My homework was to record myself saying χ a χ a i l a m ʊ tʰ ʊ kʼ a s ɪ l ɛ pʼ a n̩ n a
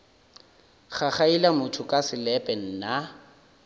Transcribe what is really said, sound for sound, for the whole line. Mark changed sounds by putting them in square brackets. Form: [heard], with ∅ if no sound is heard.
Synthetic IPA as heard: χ a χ a i l a m ʊ tʰ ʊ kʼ a s ɪ l ɛ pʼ [ɛ] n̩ n a